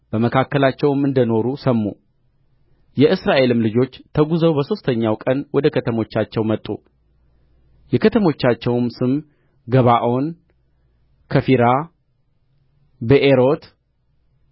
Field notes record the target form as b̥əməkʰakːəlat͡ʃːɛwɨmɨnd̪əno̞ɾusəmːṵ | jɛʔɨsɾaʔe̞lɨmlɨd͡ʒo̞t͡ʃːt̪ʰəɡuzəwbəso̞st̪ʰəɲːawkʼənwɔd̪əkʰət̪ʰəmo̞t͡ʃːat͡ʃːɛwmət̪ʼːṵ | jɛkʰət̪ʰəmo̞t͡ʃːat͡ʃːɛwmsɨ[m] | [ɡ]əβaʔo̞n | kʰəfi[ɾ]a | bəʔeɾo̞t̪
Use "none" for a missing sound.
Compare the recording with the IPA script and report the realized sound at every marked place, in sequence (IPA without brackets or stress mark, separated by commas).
m, ɡ, ɾ